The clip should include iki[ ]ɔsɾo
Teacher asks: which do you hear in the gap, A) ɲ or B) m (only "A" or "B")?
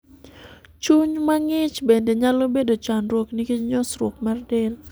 A